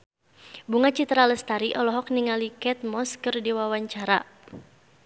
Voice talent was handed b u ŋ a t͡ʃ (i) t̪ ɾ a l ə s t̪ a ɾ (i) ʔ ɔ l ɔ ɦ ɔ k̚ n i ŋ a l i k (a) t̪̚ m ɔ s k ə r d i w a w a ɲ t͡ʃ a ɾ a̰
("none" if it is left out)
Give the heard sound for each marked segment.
i, i, ɛ

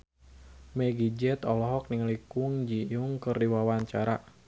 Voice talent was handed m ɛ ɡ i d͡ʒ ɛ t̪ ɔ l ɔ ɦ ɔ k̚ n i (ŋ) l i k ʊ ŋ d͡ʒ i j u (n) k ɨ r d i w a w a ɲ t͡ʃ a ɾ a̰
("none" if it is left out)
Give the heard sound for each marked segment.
ŋ, ŋ

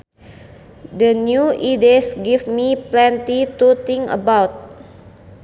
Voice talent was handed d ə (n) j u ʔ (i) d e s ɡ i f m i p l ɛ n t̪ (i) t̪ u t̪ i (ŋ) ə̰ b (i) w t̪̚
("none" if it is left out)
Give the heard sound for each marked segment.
n, i, i, ŋ, a

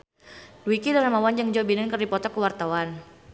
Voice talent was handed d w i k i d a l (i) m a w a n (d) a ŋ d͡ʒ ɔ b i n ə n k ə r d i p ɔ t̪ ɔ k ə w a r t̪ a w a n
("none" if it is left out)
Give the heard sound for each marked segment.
a, d͡ʒ

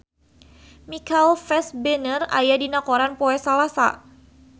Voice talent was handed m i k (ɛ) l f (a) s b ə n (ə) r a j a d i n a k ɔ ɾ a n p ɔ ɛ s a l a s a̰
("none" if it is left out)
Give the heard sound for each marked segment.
a, ɛ, ə

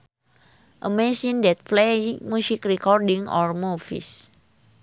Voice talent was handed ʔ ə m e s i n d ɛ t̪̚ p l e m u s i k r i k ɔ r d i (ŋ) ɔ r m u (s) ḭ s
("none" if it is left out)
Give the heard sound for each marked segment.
ŋ, f

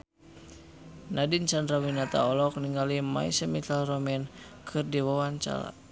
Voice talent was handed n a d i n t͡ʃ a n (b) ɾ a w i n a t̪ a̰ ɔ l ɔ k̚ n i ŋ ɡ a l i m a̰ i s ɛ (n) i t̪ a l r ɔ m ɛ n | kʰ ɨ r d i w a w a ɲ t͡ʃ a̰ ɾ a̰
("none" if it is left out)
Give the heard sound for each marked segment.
d, m

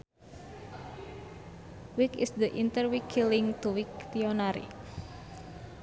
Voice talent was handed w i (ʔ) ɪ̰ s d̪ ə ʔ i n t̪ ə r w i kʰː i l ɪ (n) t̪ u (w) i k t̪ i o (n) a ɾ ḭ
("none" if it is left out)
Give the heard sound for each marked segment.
k, ŋ, w, n

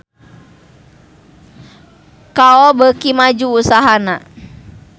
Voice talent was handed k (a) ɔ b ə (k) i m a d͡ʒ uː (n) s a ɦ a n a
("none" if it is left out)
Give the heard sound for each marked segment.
a, k, none

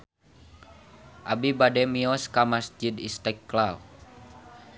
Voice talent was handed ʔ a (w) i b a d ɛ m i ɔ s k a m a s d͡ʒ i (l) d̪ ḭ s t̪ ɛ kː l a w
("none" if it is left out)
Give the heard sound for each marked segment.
b, none

